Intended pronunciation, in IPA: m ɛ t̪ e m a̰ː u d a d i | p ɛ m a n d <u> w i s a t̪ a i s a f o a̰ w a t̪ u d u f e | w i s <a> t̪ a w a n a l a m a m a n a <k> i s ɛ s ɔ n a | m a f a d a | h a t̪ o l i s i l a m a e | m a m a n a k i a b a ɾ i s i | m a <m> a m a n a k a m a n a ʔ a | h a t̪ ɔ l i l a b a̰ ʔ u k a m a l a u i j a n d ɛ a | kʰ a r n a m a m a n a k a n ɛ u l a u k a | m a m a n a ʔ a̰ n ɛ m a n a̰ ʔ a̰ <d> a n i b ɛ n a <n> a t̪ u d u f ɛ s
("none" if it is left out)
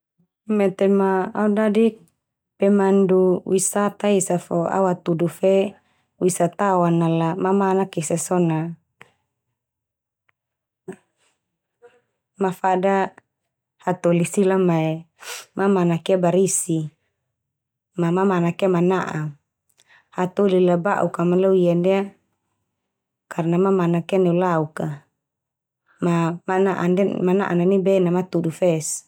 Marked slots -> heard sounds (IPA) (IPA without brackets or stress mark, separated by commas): u, a, k, m, n, m